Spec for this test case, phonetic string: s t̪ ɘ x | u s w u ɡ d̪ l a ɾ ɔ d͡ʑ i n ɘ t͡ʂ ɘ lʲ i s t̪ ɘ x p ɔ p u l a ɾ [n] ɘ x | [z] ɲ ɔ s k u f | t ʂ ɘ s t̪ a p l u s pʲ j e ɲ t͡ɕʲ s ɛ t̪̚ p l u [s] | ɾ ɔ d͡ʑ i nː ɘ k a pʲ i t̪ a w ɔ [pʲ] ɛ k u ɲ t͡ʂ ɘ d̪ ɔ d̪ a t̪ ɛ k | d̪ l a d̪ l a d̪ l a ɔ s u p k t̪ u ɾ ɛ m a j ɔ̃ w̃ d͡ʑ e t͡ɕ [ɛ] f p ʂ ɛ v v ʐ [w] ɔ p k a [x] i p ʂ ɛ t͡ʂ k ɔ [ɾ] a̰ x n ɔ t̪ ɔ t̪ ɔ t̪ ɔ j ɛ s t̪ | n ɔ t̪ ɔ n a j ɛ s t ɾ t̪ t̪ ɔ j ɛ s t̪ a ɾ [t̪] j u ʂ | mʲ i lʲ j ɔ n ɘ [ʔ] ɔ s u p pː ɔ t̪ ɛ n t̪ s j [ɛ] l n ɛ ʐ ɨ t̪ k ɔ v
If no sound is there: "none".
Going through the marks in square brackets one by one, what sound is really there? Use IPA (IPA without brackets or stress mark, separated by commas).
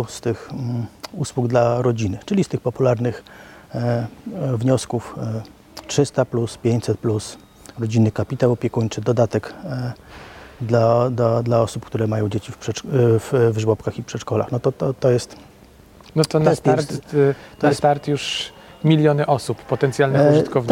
n, v, s, pʲ, i, w, x, l, t̪, ʔ, a